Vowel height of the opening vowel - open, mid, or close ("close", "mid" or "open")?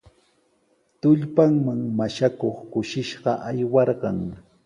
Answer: close